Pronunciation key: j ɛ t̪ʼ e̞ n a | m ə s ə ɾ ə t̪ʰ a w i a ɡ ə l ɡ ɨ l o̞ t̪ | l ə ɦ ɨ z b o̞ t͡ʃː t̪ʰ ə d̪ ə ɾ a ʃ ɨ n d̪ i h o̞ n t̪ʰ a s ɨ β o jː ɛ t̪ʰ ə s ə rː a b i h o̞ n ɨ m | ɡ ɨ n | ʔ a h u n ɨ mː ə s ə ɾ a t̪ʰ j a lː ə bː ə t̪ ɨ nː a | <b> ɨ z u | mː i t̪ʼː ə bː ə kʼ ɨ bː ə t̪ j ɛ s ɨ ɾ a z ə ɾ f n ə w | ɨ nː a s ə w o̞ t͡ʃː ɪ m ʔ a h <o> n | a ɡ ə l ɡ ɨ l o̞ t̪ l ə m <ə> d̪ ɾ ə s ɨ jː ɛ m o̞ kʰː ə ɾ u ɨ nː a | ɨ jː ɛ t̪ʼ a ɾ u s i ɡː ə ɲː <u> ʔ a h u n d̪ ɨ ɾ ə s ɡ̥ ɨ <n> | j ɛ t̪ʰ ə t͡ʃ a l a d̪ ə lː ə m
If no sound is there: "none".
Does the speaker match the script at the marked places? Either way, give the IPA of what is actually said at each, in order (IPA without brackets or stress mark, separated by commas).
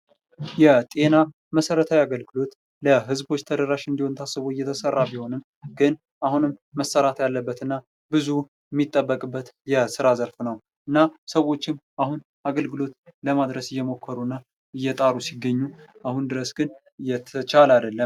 b, u, a, u, n